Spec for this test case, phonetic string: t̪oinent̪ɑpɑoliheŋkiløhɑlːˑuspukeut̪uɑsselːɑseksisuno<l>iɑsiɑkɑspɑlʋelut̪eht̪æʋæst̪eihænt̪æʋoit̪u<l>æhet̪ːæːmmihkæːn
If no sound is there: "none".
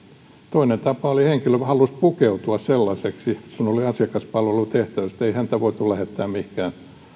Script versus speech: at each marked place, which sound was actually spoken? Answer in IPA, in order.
l, l

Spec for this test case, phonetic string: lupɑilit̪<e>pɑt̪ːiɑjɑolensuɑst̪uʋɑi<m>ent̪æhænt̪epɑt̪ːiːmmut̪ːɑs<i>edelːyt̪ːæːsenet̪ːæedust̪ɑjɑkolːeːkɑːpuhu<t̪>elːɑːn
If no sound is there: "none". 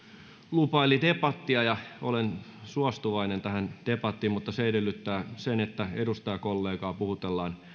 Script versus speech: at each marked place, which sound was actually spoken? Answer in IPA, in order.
e, n, e, t̪

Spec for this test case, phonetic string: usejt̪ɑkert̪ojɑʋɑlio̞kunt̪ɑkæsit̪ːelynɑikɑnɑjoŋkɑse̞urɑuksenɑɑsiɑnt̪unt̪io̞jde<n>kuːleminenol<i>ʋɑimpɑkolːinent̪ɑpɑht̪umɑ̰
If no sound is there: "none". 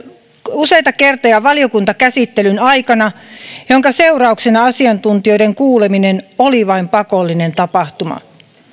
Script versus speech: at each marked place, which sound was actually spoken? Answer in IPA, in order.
ŋ, i

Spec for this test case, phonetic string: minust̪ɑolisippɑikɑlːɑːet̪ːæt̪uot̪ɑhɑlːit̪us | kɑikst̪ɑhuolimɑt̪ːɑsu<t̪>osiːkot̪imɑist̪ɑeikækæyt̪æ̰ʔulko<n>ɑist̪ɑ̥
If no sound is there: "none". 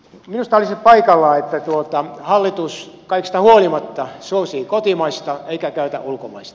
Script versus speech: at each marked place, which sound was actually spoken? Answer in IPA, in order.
none, m

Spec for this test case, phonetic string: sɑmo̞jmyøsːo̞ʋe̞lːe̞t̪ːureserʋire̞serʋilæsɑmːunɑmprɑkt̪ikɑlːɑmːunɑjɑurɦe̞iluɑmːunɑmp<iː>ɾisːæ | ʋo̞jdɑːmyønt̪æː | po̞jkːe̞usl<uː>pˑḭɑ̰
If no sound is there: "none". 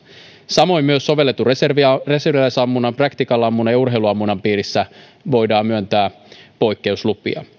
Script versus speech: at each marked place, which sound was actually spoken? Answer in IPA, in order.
iː, u

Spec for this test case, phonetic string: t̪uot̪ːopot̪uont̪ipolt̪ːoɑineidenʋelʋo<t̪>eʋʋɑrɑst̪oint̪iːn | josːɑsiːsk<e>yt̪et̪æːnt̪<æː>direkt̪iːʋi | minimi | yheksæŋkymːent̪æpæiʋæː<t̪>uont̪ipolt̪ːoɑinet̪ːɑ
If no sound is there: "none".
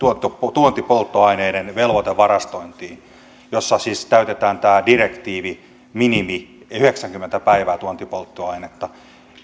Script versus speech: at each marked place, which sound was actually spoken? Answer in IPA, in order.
t̪, æ, æː, t̪

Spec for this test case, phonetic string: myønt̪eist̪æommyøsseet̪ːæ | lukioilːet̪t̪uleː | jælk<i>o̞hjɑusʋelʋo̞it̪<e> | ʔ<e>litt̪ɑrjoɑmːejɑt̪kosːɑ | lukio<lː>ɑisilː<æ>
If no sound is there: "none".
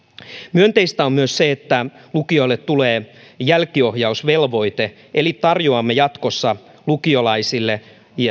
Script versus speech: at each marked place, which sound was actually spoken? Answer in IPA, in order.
i, e, e, l, e

